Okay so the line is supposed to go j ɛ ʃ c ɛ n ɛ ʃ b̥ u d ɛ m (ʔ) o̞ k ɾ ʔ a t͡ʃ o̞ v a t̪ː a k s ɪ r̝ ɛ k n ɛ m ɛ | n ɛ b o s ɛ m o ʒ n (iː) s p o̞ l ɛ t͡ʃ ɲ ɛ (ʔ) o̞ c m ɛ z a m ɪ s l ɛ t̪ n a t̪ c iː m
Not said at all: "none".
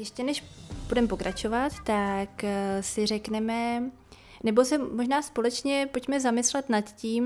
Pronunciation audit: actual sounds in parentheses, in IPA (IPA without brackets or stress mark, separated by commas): p, aː, p